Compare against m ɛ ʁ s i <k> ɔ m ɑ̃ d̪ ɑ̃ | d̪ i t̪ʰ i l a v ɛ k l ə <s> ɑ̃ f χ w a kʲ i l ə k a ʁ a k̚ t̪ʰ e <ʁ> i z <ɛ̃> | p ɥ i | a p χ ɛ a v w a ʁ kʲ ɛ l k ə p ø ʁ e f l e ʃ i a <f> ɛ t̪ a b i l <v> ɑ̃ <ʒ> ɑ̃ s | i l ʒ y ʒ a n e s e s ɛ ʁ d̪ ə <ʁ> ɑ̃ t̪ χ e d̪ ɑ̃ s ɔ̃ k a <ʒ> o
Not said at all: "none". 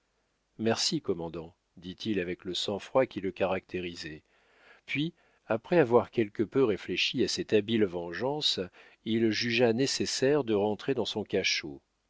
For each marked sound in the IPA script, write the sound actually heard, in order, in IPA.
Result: k, s, ʁ, ɛ, s, v, ʒ, ʁ, ʃ

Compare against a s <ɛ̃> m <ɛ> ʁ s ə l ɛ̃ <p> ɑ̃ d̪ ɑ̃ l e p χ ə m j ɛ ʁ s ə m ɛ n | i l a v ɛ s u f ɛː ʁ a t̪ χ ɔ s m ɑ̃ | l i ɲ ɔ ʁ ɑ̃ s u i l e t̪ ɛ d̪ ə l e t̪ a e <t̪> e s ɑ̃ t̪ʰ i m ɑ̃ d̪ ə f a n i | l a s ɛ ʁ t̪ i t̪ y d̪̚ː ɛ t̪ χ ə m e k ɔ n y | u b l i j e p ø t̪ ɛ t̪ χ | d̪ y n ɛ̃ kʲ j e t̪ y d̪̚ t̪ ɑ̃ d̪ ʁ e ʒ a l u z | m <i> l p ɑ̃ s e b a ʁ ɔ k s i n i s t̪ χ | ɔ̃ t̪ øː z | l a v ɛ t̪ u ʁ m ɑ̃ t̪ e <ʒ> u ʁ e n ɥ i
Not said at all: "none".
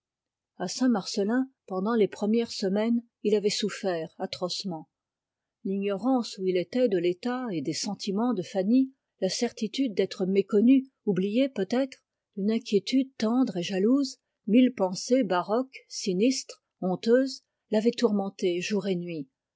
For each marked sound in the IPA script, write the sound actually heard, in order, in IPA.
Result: ɛ̃, a, p, d̪, i, ʒ

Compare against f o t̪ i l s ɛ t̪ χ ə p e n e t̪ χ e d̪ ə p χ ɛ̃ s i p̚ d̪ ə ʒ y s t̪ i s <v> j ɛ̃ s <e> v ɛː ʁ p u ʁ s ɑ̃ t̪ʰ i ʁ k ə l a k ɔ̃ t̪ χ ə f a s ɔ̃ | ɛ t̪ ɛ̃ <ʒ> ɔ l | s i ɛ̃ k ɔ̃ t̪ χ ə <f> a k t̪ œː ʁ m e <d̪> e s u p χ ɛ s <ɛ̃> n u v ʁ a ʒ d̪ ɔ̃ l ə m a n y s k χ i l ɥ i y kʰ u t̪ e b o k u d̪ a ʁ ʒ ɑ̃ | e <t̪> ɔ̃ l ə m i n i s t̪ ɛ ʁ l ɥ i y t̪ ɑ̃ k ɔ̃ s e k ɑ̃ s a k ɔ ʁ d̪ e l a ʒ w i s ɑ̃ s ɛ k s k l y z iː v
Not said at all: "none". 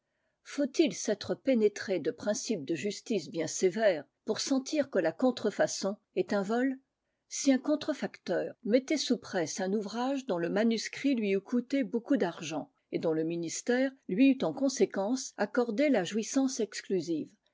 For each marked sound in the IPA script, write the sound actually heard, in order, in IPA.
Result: b, e, v, f, t̪, ɛ̃, d̪

